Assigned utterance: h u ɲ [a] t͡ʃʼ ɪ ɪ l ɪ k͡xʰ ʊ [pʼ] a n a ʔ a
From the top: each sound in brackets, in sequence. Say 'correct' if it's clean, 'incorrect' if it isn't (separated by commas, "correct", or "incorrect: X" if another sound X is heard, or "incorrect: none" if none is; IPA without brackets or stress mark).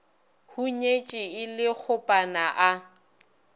incorrect: e, correct